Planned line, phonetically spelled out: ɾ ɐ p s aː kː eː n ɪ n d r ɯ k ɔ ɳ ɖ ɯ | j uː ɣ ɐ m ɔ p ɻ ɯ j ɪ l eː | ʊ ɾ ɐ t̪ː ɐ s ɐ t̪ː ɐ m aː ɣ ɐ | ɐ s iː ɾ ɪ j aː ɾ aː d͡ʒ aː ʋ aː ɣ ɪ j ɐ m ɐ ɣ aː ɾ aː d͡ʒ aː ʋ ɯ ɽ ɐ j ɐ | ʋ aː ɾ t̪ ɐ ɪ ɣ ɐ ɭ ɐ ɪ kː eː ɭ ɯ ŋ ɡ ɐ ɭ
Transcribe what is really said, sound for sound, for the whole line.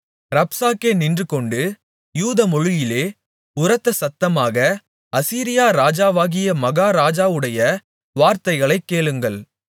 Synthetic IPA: ɾ ɐ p s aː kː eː n ɪ n d r ɯ k ɔ ɳ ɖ ɯ | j uː ð ɐ m ɔ ɻ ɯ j ɪ l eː | ʊ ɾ ɐ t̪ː ɐ s ɐ t̪ː ɐ m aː ɣ ɐ | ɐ s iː ɾ ɪ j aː ɾ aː d͡ʒ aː ʋ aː ɣ ɪ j ɐ m ɐ ɣ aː ɾ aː d͡ʒ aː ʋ ɯ ɽ ɐ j ɐ | ʋ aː ɾ t̪ ɐ ɪ ɣ ɐ ɭ ɐ ɪ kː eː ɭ ɯ ŋ ɡ ɐ ɭ